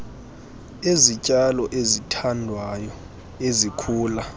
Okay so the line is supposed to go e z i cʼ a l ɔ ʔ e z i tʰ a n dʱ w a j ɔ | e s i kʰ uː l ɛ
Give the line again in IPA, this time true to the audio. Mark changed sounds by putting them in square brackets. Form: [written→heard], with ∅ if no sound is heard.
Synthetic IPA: e z i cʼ a l ɔ ʔ e z i tʰ a n dʱ w a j ɔ | e [s→z] i kʰ uː l [ɛ→a]